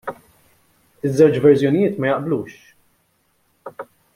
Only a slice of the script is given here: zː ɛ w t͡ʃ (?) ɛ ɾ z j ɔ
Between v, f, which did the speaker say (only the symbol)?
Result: v